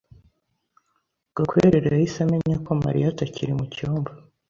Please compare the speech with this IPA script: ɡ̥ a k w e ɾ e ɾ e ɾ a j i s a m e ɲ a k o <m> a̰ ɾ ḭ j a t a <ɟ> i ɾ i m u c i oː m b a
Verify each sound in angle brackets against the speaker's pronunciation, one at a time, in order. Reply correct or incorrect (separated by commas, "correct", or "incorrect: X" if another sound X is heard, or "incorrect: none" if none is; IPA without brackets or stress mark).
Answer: correct, incorrect: c